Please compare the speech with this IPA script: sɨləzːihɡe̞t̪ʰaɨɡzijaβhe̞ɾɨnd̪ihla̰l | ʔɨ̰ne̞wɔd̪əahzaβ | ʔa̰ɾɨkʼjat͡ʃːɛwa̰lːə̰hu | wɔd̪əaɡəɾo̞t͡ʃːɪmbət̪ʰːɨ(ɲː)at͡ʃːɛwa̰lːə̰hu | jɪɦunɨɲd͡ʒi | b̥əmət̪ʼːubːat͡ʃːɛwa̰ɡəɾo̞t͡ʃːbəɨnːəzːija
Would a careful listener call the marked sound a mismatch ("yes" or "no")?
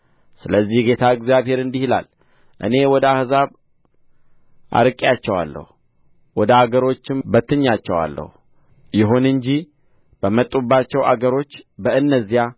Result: no